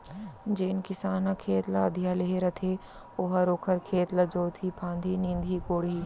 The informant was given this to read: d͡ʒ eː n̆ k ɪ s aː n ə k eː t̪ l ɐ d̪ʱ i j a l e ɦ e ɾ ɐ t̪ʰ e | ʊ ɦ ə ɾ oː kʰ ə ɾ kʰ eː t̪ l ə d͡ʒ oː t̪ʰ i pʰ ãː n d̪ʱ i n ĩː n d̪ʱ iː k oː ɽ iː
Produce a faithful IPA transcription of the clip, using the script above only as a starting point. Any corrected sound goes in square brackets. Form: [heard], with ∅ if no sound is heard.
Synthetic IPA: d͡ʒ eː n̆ k ɪ s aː n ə [kʰ] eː t̪ l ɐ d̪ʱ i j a l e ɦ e ɾ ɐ t̪ʰ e | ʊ ɦ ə ɾ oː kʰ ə ɾ kʰ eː t̪ l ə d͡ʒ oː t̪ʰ i pʰ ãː n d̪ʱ i n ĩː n d̪ʱ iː k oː ɽ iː